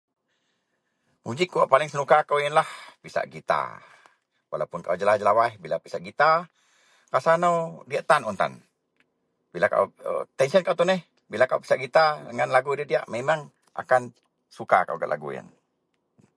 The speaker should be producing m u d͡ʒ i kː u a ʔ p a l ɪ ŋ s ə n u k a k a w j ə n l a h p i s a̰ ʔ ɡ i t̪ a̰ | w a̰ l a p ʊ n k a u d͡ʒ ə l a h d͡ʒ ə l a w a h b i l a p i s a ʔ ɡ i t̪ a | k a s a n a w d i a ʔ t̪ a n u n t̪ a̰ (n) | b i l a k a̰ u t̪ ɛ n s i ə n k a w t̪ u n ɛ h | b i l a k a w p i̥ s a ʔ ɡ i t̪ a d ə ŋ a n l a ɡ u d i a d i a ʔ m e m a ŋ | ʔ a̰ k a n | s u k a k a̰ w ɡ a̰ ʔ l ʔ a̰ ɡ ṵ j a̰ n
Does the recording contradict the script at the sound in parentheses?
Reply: no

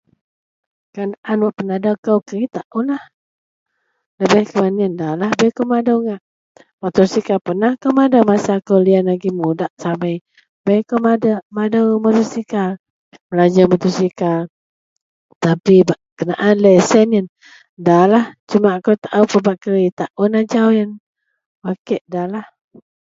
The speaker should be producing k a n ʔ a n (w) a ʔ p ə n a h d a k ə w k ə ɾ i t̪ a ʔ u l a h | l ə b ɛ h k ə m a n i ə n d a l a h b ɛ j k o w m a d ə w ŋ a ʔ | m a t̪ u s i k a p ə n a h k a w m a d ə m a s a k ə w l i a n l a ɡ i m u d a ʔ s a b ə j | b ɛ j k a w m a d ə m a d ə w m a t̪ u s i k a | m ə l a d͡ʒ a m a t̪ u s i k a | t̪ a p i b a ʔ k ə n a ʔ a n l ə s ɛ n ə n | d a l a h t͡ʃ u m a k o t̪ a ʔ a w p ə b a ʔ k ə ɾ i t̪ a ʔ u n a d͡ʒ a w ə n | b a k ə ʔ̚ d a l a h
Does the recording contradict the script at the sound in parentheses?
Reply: no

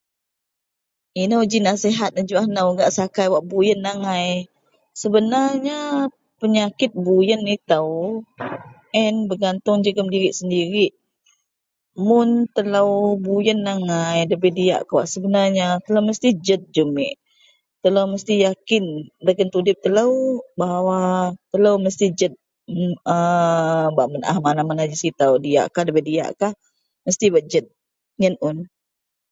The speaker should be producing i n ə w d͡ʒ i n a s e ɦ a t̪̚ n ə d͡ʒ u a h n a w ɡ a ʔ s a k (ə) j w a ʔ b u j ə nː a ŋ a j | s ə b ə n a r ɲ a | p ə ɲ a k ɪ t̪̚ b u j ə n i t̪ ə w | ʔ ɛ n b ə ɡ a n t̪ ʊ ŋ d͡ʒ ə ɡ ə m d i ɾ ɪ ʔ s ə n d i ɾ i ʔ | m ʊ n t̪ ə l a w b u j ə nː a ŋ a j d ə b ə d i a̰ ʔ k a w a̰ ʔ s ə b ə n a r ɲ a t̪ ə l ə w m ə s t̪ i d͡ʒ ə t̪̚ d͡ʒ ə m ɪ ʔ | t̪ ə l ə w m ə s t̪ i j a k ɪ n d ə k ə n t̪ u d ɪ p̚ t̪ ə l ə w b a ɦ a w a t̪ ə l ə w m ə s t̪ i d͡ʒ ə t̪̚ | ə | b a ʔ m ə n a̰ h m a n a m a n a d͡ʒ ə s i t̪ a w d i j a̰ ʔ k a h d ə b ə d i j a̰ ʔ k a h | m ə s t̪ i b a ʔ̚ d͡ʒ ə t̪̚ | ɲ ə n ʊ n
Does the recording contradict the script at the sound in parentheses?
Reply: yes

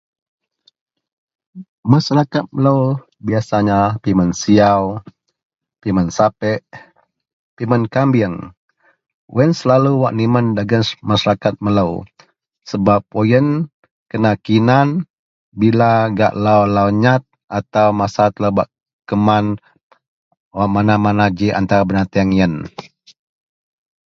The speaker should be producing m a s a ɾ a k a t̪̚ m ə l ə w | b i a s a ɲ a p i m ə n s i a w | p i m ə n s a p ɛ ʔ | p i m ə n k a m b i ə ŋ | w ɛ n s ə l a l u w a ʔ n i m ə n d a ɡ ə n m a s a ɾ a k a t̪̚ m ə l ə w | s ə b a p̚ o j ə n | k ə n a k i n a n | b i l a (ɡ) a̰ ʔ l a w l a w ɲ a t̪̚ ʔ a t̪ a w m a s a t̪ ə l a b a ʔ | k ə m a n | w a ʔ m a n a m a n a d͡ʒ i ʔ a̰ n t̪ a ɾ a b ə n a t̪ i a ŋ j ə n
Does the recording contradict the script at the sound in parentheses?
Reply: no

